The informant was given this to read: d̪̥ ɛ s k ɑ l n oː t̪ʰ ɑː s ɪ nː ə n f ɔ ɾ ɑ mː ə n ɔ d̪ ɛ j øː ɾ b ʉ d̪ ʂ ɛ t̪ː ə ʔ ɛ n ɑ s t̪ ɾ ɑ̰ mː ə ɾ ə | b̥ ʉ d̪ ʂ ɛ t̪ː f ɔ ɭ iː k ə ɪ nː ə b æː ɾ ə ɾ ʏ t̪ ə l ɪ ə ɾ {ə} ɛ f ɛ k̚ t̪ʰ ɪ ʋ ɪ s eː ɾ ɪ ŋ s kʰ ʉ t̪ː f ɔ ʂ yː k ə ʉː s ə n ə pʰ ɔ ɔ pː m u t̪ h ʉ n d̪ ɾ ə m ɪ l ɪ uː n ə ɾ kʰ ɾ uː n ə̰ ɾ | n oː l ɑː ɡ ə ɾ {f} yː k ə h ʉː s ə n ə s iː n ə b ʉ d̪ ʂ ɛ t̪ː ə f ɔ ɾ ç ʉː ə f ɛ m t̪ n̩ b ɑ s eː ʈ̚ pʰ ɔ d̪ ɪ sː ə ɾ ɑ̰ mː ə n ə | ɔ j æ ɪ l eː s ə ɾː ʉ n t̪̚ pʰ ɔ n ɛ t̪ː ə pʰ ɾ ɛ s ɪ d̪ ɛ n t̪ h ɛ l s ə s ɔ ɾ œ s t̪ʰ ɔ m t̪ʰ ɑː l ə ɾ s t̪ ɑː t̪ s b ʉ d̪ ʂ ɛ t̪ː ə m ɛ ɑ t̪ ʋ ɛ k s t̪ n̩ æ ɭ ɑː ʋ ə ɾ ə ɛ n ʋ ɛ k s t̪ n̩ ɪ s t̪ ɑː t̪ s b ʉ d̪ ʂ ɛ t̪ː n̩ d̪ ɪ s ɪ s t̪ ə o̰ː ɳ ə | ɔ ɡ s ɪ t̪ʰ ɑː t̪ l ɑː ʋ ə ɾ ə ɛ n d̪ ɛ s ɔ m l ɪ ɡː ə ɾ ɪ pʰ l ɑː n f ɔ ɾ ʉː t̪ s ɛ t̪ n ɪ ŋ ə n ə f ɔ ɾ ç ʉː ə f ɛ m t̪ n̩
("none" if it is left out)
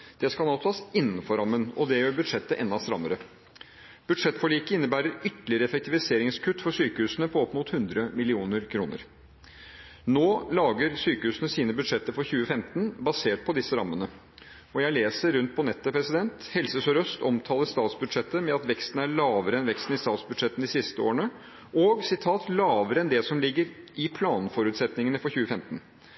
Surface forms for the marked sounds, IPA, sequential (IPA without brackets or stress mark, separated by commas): ə, s